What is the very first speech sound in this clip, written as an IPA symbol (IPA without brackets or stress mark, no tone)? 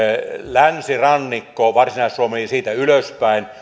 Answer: l